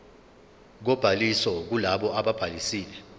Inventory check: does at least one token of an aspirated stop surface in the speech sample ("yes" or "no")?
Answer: no